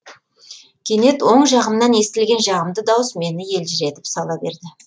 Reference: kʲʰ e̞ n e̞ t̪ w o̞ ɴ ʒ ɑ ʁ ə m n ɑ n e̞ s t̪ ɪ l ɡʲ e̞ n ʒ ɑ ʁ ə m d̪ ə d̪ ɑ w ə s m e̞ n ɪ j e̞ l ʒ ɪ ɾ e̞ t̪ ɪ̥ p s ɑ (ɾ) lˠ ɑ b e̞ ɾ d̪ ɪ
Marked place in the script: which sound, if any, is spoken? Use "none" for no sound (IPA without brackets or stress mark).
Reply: none